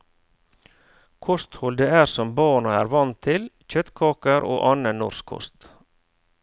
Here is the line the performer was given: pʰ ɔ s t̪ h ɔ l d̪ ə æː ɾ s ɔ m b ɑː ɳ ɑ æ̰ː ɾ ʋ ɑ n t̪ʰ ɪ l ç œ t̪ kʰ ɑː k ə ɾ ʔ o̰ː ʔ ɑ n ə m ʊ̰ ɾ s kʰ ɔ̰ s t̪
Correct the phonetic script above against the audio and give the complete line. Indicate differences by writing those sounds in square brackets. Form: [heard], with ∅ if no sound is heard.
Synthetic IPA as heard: [kʰ] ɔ s t̪ h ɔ l d̪ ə æː ɾ s ɔ m b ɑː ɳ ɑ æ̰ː ɾ ʋ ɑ n t̪ʰ ɪ l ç œ t̪ kʰ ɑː k ə ɾ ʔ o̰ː ʔ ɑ n ə [n] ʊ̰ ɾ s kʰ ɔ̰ s t̪